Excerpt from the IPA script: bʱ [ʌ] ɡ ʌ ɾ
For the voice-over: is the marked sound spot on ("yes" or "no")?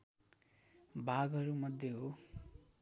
no